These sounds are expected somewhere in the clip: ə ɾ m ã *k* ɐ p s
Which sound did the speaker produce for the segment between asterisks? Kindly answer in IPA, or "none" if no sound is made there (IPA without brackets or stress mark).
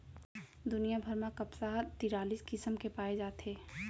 k